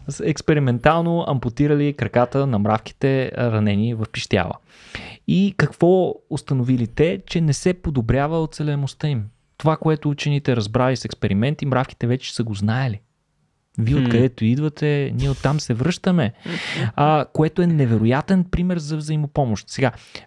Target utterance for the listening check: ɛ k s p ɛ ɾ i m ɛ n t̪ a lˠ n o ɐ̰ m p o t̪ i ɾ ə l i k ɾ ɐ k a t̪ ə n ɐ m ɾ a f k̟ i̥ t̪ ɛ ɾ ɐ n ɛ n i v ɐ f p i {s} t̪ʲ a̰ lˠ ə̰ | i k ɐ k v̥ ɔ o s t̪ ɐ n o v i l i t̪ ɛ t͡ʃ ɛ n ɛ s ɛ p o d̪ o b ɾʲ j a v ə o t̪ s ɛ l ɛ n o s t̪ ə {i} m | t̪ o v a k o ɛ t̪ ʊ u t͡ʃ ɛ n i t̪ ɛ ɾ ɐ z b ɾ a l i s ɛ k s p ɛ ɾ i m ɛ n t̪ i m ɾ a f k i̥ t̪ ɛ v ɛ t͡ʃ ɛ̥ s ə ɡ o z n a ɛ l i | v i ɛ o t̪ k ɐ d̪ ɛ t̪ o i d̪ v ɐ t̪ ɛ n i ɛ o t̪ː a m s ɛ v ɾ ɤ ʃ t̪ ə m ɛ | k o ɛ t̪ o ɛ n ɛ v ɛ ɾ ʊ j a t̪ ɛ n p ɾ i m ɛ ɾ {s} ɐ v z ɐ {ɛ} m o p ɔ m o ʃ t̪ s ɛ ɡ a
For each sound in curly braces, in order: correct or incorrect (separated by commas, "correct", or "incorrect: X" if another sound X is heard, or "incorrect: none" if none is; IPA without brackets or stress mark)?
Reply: incorrect: ʃ, correct, incorrect: z, incorrect: i